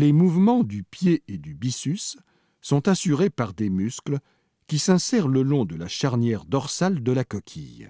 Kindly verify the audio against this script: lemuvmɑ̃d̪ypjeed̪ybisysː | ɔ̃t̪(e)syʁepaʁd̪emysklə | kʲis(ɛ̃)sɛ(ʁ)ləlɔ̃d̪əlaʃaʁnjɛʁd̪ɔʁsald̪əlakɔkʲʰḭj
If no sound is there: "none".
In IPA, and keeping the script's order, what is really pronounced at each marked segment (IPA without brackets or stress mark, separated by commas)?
a, ɛ̃, ʁ